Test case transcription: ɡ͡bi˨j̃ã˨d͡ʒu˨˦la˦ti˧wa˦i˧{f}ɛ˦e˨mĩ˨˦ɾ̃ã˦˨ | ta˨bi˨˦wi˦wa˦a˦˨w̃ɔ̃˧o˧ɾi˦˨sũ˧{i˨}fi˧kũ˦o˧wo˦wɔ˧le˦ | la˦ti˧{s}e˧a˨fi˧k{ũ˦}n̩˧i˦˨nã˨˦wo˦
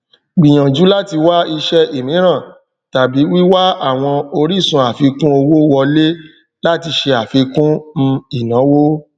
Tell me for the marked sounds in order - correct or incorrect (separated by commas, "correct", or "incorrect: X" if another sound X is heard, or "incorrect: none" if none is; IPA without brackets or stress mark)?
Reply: incorrect: ʃ, incorrect: a˨, incorrect: ʃ, correct